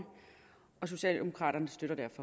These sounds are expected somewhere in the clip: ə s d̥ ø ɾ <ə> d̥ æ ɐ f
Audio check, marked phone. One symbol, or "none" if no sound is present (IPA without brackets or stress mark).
ɐ